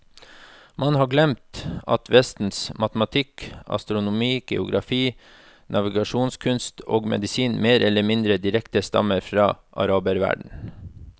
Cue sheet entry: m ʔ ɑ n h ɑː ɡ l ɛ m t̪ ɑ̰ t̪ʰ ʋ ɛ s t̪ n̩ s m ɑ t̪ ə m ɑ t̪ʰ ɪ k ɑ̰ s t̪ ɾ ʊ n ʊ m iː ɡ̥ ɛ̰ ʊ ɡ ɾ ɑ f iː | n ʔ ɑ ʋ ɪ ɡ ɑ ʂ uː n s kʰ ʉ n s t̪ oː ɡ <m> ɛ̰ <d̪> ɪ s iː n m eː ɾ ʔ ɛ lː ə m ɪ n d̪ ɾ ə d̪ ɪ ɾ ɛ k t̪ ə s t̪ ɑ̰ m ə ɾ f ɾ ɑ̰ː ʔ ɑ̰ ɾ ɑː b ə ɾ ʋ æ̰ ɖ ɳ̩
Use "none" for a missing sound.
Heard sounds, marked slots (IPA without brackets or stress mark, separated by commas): m, d̪